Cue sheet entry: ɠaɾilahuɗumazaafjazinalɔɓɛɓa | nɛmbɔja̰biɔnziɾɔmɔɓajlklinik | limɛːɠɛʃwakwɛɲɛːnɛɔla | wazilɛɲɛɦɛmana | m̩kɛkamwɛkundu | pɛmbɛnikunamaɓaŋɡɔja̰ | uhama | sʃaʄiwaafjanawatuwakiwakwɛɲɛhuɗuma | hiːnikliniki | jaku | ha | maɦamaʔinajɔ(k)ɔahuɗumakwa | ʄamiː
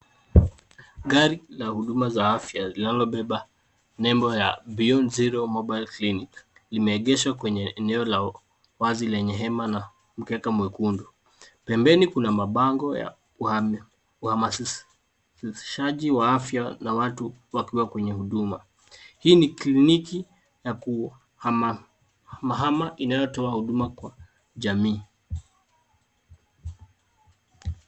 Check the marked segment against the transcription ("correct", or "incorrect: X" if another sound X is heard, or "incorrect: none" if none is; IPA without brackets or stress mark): incorrect: t